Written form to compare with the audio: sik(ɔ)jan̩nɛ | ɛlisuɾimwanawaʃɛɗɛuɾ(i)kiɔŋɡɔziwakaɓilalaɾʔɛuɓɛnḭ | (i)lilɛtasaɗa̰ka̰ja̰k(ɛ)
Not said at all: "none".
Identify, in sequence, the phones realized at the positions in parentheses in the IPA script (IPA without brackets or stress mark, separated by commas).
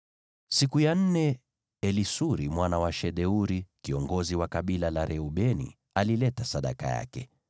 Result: u, i, a, ɛ